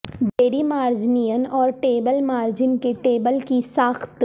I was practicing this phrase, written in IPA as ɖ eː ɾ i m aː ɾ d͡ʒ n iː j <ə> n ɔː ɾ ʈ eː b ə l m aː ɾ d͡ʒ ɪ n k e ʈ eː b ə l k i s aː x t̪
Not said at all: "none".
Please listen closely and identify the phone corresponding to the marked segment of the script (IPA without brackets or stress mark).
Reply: ə